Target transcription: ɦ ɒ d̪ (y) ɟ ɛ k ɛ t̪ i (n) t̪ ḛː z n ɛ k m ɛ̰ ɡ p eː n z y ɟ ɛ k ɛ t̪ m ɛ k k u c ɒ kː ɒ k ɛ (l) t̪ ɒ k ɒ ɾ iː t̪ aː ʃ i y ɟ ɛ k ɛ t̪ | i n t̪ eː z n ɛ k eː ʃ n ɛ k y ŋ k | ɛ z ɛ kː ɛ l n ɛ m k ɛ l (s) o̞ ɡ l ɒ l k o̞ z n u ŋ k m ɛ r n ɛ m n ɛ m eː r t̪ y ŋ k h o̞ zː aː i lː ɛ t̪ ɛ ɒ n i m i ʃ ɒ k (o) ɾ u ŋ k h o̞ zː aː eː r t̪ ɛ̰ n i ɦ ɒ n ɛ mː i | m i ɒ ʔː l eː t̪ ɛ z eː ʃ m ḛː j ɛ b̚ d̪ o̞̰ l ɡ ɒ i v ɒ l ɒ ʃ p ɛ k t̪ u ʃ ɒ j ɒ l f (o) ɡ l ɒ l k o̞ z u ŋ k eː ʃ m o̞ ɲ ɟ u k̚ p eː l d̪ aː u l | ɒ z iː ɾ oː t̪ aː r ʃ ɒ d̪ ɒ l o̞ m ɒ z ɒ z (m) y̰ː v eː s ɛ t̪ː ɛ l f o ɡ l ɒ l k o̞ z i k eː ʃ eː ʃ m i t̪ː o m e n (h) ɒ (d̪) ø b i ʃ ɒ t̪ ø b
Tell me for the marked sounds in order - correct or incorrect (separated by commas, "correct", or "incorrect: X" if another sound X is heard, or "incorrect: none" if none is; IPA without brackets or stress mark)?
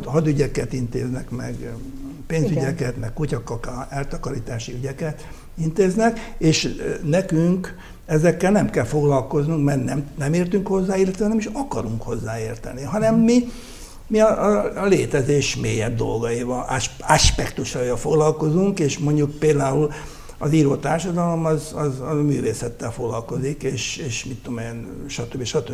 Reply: correct, correct, correct, incorrect: f, incorrect: ɒ, correct, correct, incorrect: ʃ, incorrect: t̪